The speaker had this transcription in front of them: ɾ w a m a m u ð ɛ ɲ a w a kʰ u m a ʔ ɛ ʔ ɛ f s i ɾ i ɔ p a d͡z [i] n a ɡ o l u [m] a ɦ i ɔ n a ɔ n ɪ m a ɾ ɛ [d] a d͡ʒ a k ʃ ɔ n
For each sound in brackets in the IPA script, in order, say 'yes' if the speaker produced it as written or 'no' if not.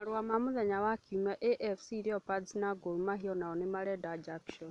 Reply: yes, yes, yes

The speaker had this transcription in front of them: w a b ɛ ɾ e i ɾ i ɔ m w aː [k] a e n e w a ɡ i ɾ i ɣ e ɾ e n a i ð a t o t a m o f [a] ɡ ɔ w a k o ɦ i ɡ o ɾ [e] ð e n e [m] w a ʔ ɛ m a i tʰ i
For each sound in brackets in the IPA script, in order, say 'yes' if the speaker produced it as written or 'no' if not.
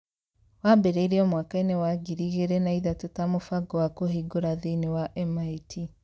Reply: yes, yes, no, no

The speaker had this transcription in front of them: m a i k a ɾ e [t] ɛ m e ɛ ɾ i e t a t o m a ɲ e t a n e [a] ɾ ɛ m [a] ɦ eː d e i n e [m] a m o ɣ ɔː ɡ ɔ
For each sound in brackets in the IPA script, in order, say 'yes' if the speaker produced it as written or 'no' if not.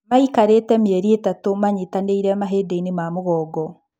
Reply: yes, no, yes, yes

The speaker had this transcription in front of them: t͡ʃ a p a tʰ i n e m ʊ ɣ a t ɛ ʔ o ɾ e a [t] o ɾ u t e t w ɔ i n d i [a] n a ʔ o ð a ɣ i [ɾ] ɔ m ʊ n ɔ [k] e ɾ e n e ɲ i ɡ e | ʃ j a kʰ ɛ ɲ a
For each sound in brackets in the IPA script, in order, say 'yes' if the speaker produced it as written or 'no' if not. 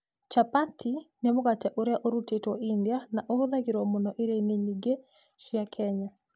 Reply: no, yes, yes, no

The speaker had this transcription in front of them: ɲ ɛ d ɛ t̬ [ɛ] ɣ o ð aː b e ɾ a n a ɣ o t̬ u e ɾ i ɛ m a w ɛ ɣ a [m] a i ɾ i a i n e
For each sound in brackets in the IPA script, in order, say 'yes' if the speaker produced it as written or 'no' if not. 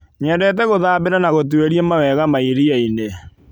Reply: yes, yes

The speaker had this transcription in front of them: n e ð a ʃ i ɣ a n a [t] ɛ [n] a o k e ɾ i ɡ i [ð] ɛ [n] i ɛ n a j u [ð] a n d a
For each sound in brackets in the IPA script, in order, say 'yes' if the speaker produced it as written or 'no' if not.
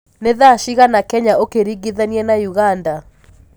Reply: no, no, yes, yes, no

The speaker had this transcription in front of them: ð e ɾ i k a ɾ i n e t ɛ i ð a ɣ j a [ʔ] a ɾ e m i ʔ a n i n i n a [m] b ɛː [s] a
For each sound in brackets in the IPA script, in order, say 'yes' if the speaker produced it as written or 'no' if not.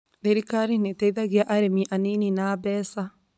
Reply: yes, no, yes

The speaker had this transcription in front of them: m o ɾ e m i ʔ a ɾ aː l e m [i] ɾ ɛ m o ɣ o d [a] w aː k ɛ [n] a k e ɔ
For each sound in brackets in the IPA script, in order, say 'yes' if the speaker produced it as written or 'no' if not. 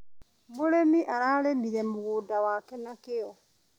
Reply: yes, yes, yes

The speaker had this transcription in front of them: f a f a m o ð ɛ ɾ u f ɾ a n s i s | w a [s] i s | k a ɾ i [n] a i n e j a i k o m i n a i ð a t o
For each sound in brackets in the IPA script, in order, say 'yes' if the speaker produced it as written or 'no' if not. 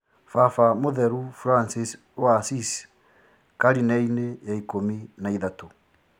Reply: yes, yes

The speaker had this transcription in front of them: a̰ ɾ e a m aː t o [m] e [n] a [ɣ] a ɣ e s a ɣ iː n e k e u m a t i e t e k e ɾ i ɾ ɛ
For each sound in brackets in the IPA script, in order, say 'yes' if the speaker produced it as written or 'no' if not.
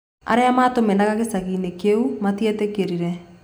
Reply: yes, yes, yes

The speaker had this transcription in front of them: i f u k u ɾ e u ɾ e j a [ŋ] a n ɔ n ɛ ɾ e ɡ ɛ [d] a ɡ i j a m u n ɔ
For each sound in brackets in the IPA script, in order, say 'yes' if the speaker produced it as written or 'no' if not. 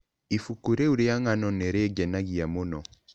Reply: yes, no

